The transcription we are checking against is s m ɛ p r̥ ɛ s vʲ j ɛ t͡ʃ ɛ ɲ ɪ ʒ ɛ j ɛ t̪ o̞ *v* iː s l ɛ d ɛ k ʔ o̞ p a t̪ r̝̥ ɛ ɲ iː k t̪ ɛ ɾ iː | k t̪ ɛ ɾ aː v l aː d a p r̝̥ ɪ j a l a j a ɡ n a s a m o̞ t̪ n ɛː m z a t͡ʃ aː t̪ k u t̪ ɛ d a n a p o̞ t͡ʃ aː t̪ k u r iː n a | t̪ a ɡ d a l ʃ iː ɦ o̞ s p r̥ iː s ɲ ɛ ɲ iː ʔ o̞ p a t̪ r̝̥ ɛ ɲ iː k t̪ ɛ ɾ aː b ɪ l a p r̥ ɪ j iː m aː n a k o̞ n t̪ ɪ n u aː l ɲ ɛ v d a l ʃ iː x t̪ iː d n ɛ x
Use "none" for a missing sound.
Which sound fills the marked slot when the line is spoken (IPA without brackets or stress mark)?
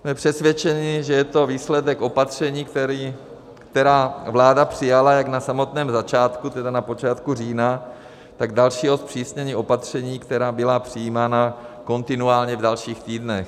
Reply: v